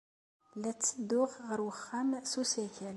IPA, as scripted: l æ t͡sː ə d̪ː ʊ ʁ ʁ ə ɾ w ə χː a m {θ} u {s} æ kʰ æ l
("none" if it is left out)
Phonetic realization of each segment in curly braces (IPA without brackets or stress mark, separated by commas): s, s